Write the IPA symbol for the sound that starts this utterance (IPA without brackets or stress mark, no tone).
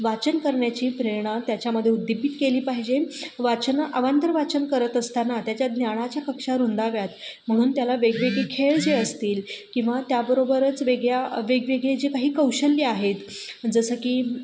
ʋ